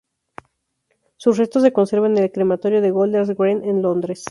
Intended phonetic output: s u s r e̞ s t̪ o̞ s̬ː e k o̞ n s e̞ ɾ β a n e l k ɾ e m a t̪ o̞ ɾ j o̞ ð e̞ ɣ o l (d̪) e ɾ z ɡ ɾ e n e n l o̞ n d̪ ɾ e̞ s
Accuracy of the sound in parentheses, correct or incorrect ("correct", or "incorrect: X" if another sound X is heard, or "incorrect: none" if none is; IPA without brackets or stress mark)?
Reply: correct